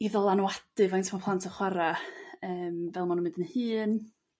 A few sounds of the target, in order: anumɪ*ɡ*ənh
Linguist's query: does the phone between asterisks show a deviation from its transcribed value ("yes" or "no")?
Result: yes